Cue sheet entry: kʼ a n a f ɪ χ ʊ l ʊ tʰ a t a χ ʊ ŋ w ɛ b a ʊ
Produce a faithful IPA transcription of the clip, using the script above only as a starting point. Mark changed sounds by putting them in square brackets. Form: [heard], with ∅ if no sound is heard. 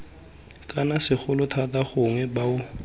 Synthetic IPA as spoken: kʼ a n a [s] ɪ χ ʊ l ʊ tʰ a t a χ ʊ ŋ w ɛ b a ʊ

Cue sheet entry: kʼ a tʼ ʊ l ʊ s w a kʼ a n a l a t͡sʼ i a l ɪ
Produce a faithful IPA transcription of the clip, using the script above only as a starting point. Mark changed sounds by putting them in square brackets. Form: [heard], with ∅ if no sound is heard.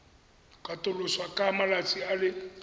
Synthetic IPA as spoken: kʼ a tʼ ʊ l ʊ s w a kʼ a [m] a l a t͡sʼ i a l ɪ

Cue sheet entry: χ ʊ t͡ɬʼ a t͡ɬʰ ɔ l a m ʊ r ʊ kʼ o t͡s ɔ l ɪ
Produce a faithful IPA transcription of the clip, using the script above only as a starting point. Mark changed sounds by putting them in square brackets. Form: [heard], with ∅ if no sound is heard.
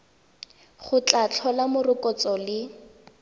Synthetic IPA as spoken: χ ʊ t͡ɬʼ a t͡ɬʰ ɔ l a m ʊ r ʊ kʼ [ɔ] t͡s ɔ l ɪ

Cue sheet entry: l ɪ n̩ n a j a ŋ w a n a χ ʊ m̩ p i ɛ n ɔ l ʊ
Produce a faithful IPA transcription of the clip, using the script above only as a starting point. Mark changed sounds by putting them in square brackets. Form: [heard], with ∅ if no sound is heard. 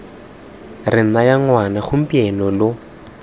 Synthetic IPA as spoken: [r] ɪ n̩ n a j a ŋ w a n a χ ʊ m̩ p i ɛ n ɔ l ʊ

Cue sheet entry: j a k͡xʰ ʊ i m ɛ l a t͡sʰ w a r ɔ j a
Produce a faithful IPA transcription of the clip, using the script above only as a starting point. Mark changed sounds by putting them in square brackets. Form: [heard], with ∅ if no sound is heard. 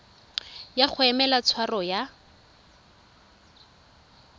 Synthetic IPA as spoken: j a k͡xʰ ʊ [ɛ] m ɛ l a t͡sʰ w a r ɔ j a

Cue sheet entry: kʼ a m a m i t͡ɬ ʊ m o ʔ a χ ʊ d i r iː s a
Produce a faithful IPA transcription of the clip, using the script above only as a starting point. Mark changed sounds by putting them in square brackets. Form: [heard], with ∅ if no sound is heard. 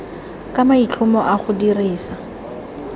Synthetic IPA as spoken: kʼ a m a [∅] i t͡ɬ ʊ m [ɔ] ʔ a χ ʊ d i r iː s a

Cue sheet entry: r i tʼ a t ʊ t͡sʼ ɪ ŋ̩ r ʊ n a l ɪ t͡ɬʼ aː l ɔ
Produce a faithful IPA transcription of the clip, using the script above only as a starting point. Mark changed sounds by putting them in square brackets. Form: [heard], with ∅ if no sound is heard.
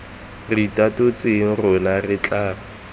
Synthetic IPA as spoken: r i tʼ a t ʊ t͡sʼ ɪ ŋ̩ r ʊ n a [r] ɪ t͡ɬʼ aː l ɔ

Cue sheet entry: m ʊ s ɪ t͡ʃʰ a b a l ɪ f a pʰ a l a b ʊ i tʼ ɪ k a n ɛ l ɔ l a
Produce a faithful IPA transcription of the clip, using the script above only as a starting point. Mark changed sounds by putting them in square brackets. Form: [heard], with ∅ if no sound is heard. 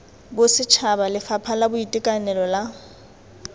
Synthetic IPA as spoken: [b] ʊ s ɪ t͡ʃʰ a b a l ɪ f a pʰ a l a b ʊ i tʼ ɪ [kʼ] a n ɛ l ɔ l a

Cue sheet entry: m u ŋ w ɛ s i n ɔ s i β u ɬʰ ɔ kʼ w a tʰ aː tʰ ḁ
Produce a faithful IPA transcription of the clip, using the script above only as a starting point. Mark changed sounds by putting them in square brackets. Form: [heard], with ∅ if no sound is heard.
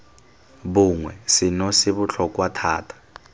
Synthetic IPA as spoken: [b] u ŋ w ɛ s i n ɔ s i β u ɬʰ ɔ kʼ w a tʰ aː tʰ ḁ

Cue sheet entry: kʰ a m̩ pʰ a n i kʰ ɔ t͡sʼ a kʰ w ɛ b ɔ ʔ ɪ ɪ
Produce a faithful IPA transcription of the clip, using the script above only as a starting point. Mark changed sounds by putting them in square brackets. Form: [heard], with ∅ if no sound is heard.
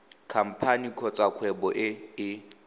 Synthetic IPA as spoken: kʰ a m̩ pʰ a n i kʰ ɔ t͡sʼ a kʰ w ɛ b ɔ ʔ ɪ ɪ

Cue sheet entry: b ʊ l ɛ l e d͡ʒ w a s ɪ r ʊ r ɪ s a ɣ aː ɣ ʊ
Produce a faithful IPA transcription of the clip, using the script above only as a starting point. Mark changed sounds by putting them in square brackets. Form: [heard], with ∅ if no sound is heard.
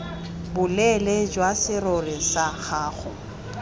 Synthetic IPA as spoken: b ʊ l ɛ l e d͡ʒ w a s ɪ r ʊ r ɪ s a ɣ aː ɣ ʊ

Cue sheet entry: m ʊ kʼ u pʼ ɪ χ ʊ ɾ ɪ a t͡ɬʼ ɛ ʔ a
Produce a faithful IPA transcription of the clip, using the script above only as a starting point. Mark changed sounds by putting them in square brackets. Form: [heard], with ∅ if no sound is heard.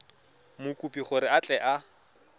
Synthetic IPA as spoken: m ʊ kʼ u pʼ [i] χ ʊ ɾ ɪ a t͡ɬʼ ɛ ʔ a

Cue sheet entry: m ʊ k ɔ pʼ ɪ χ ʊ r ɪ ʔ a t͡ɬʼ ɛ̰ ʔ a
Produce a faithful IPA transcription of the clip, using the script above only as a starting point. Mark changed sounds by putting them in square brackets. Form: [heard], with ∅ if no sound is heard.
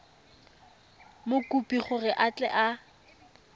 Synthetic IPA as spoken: m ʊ k [u] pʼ [i] χ ʊ r ɪ ʔ a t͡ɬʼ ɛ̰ ʔ a

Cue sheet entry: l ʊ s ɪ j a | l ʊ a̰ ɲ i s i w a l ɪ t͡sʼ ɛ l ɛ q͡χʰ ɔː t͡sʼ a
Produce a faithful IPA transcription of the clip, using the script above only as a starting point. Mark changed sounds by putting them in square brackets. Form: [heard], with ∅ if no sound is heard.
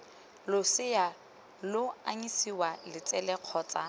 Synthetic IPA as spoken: l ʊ s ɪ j a | l ʊ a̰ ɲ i s i w a l ɪ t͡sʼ ɛ l ɛ q͡χʰ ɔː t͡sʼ a

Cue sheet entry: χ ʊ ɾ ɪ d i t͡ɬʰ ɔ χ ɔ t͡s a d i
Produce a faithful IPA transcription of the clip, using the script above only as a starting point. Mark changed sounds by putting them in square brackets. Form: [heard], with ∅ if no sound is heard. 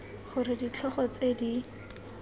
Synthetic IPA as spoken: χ ʊ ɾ ɪ d i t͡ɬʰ ɔ χ ɔ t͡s [e] d i

